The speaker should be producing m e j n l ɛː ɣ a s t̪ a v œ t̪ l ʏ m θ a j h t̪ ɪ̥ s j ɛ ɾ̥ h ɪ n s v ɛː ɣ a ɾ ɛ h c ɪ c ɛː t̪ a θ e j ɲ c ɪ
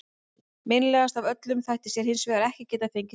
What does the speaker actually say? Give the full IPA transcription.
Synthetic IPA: m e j n l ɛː ɣ a s t̪ a v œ t̪ l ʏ m θ a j h t̪ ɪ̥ s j ɛ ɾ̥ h ɪ n s v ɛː ɣ a ɾ ɛ h c ɪ c ɛː t̪ a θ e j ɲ c ɪ